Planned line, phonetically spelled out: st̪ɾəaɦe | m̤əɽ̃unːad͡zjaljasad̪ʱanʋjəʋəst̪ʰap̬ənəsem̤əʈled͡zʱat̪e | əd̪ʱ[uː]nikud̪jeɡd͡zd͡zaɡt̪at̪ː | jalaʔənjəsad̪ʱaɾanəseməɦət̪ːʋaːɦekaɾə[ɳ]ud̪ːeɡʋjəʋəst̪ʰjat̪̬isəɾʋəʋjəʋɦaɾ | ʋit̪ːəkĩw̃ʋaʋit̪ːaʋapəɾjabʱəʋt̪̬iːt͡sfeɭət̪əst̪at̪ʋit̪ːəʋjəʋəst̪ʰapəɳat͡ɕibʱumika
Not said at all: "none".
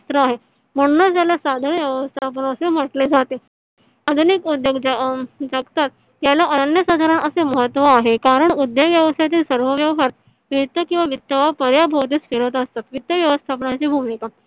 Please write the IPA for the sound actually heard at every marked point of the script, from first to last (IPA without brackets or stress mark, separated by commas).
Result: u, ɳ